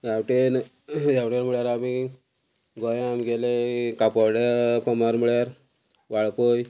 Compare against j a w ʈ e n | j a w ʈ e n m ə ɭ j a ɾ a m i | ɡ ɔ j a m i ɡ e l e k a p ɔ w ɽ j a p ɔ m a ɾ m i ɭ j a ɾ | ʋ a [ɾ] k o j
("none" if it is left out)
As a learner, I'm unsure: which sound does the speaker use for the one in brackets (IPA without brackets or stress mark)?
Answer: ɭ